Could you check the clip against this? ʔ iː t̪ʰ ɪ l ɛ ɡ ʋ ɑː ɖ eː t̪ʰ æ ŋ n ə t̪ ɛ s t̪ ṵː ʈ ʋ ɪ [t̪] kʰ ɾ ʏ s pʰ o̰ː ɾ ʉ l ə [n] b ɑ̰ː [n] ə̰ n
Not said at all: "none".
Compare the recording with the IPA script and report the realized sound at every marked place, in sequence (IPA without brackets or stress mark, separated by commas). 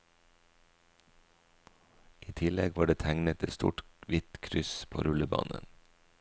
t̪, none, n